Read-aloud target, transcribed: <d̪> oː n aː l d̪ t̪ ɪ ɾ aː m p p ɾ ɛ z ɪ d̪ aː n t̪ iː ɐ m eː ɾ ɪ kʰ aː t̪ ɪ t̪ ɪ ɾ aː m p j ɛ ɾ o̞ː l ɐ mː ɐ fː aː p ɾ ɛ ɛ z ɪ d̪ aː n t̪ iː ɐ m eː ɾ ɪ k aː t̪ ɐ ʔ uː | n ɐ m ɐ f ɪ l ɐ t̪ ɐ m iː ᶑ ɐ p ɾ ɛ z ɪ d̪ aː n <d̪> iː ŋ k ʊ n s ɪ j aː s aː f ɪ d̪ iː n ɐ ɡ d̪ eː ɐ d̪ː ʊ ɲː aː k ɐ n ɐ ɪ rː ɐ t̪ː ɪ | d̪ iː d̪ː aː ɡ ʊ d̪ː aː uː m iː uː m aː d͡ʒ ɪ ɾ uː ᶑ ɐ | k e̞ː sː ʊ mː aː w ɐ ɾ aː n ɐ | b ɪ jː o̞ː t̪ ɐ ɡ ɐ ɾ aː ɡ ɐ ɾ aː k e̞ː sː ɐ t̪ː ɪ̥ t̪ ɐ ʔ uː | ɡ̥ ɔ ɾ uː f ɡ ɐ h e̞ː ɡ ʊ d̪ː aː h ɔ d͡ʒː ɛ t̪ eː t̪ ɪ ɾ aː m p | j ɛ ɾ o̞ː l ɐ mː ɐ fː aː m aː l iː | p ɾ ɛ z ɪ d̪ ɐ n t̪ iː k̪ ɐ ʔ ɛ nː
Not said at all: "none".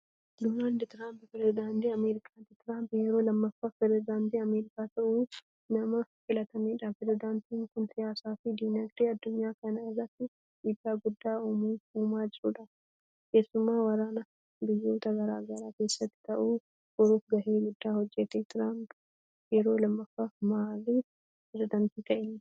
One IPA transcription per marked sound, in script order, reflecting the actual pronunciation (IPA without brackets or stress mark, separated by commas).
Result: d̪, t̪